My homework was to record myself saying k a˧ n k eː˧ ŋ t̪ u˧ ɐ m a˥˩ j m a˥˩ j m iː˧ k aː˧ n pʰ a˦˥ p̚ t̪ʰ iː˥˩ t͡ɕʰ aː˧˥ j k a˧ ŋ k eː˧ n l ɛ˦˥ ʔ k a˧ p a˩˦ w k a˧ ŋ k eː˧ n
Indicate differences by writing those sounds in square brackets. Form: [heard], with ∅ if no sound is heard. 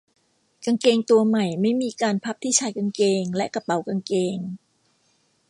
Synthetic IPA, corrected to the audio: k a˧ [ŋ] k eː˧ ŋ t̪ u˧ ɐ m [a˨˩] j m a˥˩ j m iː˧ k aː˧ n pʰ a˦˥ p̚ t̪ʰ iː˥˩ t͡ɕʰ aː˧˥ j k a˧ ŋ k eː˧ [ŋ] l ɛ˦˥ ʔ k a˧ p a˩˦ w k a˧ ŋ k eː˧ [ŋ]